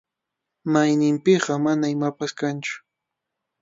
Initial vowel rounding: unrounded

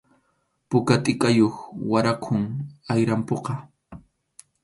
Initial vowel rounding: rounded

